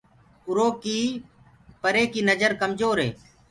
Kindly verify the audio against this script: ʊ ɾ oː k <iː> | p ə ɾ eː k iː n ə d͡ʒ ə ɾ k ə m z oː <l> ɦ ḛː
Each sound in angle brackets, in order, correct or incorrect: correct, incorrect

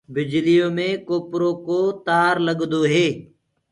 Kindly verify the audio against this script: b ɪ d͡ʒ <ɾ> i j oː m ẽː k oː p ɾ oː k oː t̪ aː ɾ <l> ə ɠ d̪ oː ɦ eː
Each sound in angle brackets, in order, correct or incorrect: incorrect, correct

